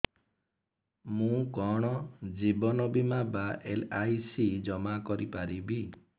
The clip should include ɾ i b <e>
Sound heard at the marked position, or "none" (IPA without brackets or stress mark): i